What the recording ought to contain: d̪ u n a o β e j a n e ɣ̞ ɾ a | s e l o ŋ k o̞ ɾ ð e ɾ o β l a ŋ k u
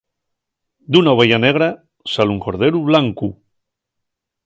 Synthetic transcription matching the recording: d̪ u n a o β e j a n e ɣ̞ ɾ a | s a l u ŋ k o̞ ɾ ð e ɾ u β l a ŋ k u